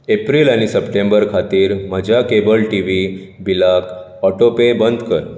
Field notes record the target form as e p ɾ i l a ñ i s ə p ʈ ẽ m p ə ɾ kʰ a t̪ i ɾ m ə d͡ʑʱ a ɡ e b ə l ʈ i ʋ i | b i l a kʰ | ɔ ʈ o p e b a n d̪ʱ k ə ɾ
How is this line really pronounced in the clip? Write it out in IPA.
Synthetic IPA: e p ɾ i l a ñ i s ə p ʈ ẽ m b ə ɾ kʰ a t̪ iː ɾ m ə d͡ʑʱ a k e b ə l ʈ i ʋ i | b i l a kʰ | ɔ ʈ o p e b ə n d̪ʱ k ə ɾ